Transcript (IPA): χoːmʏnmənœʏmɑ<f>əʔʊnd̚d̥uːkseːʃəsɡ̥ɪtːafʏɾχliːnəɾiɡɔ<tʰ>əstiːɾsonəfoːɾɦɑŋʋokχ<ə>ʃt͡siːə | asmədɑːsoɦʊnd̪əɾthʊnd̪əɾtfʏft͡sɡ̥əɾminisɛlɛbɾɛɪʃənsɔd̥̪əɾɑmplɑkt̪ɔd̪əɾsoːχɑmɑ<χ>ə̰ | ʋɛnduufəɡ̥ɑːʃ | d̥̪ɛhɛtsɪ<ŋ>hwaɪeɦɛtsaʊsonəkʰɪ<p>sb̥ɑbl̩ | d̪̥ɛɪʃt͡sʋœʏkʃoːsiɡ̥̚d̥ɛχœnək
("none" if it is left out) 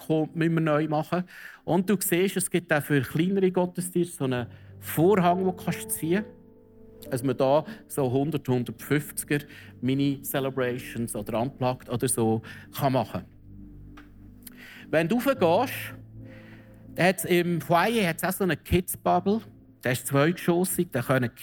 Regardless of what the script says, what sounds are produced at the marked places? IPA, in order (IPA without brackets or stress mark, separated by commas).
χ, t, ɑ, χ, m, t